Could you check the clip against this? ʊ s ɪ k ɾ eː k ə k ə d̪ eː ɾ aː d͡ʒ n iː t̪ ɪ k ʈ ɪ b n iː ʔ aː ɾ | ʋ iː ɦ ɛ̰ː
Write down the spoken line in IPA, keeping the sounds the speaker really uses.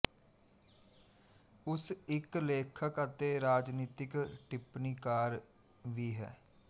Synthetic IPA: ʊ s ɪ k l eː kʰ ə k ə t̪ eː ɾ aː d͡ʒ n iː t̪ ɪ k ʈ ɪ p n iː k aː ɾ | ʋ iː ɦ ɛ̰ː